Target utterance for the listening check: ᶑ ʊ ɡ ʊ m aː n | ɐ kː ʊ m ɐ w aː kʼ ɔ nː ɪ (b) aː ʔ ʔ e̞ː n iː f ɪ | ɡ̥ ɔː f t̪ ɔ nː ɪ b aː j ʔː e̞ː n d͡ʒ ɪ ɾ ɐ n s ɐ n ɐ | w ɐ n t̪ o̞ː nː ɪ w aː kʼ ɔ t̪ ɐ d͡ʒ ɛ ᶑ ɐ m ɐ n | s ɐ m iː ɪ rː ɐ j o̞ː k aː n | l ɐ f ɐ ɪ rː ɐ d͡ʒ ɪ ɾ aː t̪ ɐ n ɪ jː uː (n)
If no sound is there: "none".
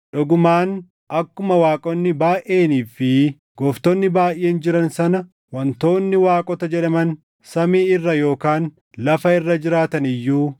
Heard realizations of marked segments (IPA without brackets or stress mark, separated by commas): b, none